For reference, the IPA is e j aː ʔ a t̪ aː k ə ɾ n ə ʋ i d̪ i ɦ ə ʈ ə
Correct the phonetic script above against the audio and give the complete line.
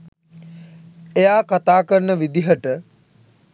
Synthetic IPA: e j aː k a t̪ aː k ə ɾ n ə ʋ i d̪ i ɦ ə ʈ ə